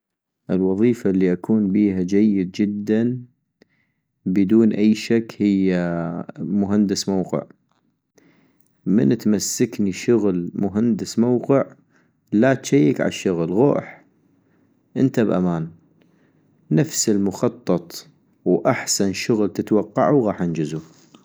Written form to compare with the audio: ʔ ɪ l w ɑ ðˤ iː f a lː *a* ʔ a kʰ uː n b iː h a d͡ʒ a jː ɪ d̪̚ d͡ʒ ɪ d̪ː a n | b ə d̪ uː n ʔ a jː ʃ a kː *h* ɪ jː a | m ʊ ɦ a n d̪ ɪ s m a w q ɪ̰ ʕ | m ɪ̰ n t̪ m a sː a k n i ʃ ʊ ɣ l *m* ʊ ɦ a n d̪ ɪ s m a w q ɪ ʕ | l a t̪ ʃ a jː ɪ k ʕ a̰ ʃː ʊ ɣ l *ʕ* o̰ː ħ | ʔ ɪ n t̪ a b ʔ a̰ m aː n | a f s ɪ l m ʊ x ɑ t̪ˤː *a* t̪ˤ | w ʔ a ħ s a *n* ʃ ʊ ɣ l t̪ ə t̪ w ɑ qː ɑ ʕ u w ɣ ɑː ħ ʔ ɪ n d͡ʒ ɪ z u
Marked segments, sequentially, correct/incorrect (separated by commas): incorrect, correct, correct, incorrect, incorrect, correct